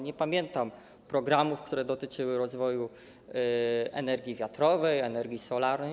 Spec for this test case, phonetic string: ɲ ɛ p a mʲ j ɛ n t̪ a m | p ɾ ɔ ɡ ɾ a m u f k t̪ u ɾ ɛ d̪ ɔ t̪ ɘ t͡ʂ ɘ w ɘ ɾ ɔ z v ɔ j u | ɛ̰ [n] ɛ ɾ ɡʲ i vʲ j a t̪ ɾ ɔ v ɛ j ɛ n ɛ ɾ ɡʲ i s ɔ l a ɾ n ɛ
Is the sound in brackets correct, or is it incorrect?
correct